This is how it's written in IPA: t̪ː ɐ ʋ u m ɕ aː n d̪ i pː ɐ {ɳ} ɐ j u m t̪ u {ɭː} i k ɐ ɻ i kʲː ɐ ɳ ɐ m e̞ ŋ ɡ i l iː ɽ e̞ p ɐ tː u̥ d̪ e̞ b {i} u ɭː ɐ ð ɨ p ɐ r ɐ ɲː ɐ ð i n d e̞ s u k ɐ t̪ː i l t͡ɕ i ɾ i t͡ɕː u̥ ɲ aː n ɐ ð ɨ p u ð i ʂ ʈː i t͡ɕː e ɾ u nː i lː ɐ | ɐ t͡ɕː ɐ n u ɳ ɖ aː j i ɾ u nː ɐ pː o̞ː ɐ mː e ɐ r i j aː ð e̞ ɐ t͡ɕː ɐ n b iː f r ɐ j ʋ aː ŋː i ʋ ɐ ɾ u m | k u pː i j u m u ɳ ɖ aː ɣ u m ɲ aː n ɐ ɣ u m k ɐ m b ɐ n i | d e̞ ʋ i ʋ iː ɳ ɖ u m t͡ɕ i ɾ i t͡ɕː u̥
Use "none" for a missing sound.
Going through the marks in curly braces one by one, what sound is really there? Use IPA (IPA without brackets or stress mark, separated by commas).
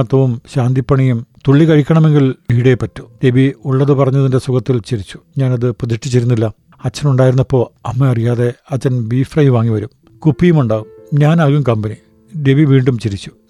ɳ, ɭː, i